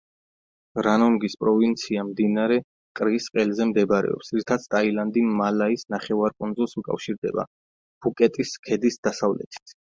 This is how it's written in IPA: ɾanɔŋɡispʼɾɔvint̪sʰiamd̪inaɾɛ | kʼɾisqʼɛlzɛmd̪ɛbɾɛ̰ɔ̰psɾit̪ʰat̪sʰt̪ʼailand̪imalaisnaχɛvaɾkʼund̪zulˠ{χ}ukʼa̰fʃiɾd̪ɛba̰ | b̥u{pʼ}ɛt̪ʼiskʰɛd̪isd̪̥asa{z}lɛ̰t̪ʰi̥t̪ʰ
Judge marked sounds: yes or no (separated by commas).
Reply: no, no, no